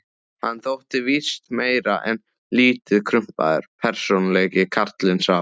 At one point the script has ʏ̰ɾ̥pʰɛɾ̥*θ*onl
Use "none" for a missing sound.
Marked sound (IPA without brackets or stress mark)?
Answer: s